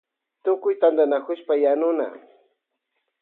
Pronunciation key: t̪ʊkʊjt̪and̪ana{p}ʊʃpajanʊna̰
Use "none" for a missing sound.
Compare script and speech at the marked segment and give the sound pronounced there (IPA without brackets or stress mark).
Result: k